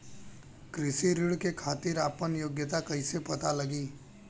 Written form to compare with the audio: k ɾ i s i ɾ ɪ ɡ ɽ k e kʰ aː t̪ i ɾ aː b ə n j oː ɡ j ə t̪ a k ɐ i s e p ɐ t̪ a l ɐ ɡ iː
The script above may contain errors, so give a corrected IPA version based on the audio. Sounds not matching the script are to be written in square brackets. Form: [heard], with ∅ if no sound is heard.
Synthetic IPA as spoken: k ɾ [ɪ] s i ɾ ɪ [∅] ɽ k e kʰ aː t̪ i ɾ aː [p] ə n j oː ɡ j ə t̪ a k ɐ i s e p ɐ t̪ a l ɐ ɡ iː